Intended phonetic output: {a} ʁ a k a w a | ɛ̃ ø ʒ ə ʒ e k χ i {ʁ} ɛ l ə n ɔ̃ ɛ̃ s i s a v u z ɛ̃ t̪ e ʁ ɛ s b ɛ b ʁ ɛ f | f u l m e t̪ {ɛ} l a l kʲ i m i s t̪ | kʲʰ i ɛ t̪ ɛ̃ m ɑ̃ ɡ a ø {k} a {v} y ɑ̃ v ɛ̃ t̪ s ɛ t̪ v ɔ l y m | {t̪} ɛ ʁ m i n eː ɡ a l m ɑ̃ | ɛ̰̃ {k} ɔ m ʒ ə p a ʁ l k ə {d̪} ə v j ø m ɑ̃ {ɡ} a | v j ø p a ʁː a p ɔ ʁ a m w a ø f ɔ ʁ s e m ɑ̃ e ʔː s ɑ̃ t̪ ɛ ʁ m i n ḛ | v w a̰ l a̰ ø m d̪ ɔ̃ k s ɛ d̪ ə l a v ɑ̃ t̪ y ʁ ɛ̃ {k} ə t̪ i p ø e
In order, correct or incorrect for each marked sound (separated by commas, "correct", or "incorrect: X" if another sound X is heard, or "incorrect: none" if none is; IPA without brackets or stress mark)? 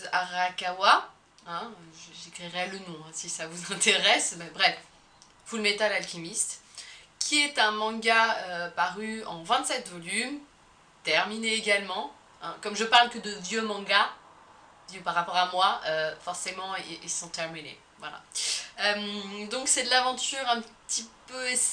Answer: correct, correct, incorrect: a, incorrect: p, incorrect: ʁ, correct, correct, correct, correct, incorrect: p